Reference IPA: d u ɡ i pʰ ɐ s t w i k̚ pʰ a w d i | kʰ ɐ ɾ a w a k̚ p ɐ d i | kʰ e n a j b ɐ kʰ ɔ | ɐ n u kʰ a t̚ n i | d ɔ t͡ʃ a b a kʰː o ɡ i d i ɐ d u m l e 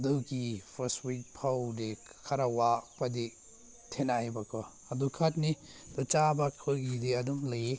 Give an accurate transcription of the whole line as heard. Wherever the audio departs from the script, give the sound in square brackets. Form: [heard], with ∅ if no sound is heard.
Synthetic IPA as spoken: d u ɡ i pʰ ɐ s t w i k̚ pʰ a w d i | kʰ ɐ ɾ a w a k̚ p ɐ d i | [tʰ] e n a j b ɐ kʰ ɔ | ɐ [d] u kʰ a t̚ n i | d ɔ t͡ʃ a b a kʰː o ɡ i d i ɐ d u m l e